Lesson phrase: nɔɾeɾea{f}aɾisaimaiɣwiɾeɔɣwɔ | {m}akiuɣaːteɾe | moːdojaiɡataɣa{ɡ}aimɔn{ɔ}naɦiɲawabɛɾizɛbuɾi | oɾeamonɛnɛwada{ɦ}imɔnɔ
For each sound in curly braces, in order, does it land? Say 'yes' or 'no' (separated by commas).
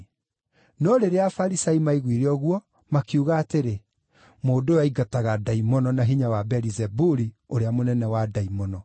yes, yes, no, yes, no